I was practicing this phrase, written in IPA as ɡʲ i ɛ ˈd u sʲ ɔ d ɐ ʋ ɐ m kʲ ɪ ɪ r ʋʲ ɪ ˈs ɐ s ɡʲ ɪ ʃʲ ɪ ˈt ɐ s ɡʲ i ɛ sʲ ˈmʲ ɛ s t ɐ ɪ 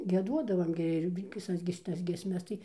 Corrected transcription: ɡʲ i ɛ ˈd u ɔ d ɐ ʋ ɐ m ɡʲ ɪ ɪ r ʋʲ ɪ ˈs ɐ s ɡʲ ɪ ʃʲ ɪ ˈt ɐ s ɡʲ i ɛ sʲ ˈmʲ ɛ s t ɐ ɪ

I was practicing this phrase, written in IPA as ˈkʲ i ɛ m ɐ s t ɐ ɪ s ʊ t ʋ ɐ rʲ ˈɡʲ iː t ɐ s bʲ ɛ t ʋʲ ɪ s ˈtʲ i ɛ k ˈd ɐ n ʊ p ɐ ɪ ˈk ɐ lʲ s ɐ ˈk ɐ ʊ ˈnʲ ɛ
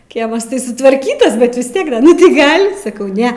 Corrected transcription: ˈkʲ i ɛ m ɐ s t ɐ ɪ s ʊ t ʋ ɐ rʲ ˈkʲ iː t ɐ s bʲ ɛ t ʋʲ ɪ s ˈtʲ i ɛ k ˈd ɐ n ʊ t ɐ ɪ ˈɡ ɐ lʲ s ɐ ˈk ɐ ʊ ˈnʲ ɛ

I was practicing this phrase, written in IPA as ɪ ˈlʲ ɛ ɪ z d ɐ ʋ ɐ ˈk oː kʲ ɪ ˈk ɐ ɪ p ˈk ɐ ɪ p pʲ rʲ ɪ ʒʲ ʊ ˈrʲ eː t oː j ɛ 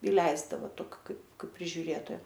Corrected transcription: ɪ ˈlʲ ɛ ɪ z d ɐ ʋ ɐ ˈt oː kʲ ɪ ˈk ɐ ɪ p ˈk ɐ ɪ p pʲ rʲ ɪ ʒʲ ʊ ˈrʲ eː t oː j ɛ

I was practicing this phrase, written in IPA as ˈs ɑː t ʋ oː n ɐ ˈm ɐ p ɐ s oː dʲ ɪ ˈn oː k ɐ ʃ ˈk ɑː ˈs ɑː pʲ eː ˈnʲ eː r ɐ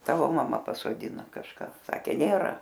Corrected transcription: ˈt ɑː ʋ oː m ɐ ˈm ɐ p ɐ s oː dʲ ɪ ˈn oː k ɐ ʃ ˈk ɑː ˈs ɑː kʲ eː ˈnʲ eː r ɐ

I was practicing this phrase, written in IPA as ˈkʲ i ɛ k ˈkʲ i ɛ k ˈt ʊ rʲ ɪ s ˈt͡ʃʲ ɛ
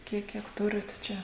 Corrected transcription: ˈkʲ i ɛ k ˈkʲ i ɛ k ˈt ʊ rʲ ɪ t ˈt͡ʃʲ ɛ

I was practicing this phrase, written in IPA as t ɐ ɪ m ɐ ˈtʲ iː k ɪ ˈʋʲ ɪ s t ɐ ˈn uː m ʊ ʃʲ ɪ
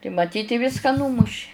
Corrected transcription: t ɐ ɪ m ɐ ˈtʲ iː t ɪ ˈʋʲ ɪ s k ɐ ˈn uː m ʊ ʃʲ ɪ

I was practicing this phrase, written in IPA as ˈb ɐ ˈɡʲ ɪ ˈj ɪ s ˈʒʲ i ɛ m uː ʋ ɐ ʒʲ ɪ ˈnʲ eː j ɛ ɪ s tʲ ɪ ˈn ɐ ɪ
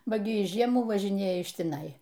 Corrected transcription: ˈb ɐ ˈɡʲ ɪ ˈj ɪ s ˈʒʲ i ɛ m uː ʋ ɐ ʒʲ ɪ ˈnʲ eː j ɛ ɪ ʃ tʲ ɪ ˈn ɐ ɪ

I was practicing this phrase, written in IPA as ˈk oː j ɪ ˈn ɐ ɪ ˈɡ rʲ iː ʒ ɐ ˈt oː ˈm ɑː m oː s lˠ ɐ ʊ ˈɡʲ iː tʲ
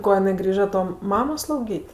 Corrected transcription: ˈk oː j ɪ ˈn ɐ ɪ ˈɡ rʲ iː ʒ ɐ ˈt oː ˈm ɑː m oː s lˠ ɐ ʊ ˈɡʲ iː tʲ

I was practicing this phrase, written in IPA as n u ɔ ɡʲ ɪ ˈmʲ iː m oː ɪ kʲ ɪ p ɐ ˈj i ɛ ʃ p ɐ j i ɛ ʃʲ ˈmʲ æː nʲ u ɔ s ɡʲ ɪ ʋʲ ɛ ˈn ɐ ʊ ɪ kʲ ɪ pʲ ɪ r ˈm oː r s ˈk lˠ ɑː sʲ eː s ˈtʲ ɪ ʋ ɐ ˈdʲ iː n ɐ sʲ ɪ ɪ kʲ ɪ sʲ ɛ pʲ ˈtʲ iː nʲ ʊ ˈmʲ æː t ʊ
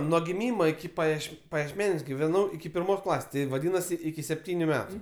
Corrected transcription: n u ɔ ɡʲ ɪ ˈmʲ iː m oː ɪ kʲ ɪ p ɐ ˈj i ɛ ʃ p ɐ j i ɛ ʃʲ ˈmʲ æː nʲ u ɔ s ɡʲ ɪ ʋʲ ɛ ˈn ɐ ʊ ɪ kʲ ɪ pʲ ɪ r ˈm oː s ˈk lˠ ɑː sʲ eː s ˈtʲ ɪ ʋ ɐ ˈdʲ iː n ɐ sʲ ɪ ɪ kʲ ɪ sʲ ɛ pʲ ˈtʲ iː nʲ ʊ ˈmʲ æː t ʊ

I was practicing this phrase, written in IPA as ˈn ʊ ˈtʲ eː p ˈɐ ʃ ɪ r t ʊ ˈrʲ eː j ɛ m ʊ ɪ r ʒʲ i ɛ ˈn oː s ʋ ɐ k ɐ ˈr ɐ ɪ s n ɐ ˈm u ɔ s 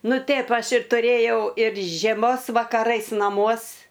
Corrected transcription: ˈn ʊ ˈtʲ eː p ˈɐ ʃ ɪ r t ʊ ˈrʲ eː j ɛ ʊ ɪ r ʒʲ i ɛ ˈm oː s ʋ ɐ k ɐ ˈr ɐ ɪ s n ɐ ˈm u ɔ s

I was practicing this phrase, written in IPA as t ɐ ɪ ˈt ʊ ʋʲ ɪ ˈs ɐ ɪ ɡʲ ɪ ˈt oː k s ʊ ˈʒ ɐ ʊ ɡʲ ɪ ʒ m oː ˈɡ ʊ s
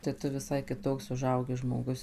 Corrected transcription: t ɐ ɪ ˈt ʊ ʋʲ ɪ ˈs ɐ ɪ kʲ ɪ ˈt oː k s ʊ ˈʒ ɐ ʊ ɡʲ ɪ ʒ m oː ˈɡ ʊ s

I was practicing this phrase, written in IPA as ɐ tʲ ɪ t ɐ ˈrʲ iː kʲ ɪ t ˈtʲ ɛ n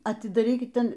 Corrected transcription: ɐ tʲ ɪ d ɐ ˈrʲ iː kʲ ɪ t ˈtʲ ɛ n

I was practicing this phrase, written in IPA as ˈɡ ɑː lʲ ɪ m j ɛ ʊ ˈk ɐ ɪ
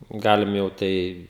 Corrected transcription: ˈɡ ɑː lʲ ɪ m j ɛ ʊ ˈt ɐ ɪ

